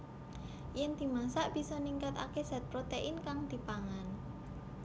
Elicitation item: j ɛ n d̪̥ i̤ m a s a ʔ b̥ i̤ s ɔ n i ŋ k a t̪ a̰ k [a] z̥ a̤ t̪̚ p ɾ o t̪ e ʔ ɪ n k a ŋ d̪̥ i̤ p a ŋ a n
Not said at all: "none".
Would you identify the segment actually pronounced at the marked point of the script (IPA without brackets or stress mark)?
e